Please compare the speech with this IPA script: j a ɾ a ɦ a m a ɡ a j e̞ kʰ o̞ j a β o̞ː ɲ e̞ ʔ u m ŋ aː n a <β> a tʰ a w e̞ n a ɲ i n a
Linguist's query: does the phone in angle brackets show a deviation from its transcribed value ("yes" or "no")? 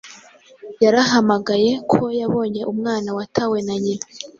yes